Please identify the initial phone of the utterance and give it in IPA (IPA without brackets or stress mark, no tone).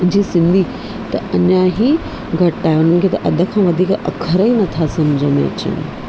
d͡ʑ